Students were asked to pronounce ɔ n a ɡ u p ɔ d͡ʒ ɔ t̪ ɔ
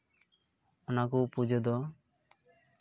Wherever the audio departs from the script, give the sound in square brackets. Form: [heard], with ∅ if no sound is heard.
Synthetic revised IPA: ɔ n a [k] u p [u] d͡ʒ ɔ [d̪] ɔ